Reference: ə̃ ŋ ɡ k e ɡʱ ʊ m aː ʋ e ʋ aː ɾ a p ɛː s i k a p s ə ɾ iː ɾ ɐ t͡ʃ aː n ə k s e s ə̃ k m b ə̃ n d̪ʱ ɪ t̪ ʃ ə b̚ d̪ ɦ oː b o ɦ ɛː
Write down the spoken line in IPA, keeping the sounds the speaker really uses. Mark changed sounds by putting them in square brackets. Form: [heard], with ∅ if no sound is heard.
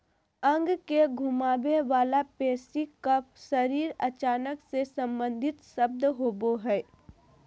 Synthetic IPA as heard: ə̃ ŋ ɡ k e ɡʱ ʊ m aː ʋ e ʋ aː [l] a p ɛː s i k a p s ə ɾ iː ɾ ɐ t͡ʃ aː n ə k s e s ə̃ [∅] m b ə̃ n d̪ʱ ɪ t̪ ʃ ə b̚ d̪ ɦ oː b o ɦ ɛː